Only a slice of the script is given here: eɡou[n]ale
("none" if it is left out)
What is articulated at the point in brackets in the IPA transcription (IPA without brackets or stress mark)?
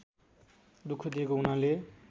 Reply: n